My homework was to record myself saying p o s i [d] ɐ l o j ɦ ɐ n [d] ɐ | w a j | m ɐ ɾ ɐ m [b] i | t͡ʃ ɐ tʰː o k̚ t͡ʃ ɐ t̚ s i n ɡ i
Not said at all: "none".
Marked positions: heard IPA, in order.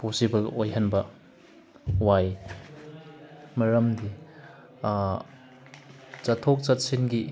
b, b, d

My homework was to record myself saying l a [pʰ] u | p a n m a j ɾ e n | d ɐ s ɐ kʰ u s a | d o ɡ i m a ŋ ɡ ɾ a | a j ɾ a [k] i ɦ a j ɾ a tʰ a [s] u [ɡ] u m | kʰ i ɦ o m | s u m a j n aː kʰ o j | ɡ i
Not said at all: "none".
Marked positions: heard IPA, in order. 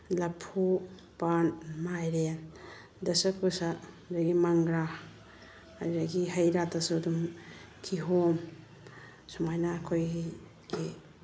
pʰ, ɡ, s, d

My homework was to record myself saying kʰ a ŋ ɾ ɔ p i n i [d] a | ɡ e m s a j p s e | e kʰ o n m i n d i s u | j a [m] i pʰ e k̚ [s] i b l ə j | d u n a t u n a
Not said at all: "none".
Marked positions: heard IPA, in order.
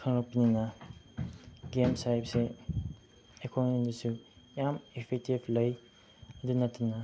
n, m, t

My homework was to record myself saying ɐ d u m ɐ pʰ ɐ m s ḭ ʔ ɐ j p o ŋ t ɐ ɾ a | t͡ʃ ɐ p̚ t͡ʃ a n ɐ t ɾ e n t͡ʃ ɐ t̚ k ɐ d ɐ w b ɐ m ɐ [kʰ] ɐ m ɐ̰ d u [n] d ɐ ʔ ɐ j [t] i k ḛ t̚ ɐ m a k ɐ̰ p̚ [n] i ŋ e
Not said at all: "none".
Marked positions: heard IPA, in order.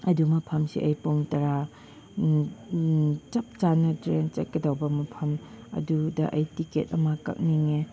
pʰ, none, t, n

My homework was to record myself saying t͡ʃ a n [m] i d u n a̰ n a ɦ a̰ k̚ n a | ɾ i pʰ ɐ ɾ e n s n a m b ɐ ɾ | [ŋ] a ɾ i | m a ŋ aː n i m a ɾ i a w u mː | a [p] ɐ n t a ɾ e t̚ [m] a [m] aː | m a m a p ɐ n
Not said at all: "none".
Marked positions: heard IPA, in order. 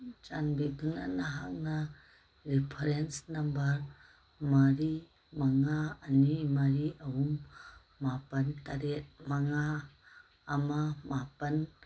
b, m, p, m, ŋ

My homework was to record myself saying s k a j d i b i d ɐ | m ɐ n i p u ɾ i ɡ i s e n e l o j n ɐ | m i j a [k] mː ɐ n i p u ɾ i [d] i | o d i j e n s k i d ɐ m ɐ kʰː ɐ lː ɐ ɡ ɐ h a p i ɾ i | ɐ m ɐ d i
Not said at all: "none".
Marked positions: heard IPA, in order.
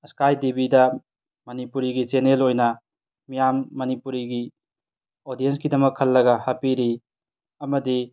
none, ɡ

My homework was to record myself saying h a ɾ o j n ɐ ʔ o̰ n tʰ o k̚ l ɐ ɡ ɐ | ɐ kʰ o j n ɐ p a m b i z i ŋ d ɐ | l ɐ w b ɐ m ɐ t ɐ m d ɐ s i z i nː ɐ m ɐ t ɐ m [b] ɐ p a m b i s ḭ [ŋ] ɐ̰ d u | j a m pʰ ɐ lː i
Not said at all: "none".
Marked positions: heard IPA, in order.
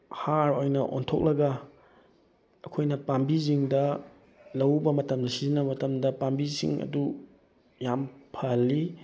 d, ŋ

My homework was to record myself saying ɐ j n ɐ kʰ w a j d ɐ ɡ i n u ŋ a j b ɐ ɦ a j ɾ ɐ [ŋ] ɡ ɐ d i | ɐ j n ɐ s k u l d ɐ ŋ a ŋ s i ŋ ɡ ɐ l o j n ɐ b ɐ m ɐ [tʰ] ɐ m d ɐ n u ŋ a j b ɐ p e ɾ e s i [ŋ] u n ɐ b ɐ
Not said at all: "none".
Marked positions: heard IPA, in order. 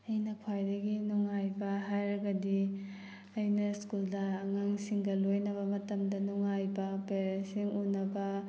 none, t, ŋ

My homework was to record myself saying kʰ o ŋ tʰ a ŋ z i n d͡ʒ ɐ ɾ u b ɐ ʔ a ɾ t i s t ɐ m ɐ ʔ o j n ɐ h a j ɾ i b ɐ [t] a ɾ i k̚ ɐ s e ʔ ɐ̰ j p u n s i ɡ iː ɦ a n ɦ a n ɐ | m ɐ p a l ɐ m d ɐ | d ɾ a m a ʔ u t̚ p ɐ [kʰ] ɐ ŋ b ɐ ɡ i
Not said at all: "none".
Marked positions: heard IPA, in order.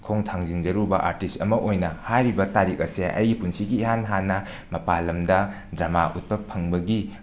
t, pʰ

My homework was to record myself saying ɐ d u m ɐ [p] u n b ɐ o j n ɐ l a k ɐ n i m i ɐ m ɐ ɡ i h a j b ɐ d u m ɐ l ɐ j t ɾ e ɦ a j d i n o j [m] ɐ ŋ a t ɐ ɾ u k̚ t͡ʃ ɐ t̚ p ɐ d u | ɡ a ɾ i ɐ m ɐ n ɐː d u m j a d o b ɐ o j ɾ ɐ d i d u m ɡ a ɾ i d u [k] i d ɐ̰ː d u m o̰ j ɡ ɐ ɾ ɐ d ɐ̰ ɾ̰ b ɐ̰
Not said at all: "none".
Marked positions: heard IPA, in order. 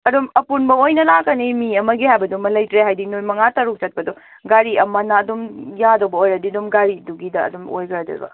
p, m, ɡ

